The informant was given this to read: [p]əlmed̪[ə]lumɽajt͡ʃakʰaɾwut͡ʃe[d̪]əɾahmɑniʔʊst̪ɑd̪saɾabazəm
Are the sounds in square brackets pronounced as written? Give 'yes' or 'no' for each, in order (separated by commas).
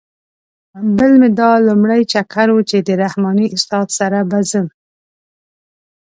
no, no, yes